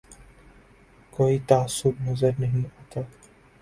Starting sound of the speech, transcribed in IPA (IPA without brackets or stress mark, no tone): k